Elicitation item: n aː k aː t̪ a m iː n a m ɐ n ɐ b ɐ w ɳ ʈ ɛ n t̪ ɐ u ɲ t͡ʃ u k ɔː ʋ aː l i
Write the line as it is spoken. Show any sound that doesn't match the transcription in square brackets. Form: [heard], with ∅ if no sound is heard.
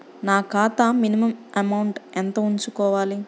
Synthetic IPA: n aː k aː t̪ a m [i] n [i] m ɐ [m] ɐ [m] ɐ w ɳ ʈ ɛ n t̪ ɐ u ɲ t͡ʃ u k ɔː ʋ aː l i